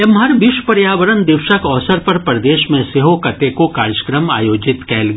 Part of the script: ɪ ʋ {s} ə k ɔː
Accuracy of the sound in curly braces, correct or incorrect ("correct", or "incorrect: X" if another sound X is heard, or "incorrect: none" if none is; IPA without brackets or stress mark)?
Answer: incorrect: ʃ